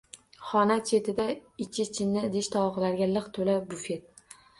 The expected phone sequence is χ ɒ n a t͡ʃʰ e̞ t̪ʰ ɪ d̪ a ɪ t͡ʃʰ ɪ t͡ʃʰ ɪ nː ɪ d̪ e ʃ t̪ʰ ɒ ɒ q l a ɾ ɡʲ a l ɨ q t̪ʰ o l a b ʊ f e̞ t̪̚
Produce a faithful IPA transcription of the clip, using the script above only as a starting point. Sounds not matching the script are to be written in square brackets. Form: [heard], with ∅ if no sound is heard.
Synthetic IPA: χ ɒ n a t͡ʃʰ e̞ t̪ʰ ɪ d̪ a ɪ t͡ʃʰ ɪ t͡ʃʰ ɪ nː ɪ d̪ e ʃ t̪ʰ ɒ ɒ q l a ɾ ɡʲ a l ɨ q t̪ʰ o l a b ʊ f e̞ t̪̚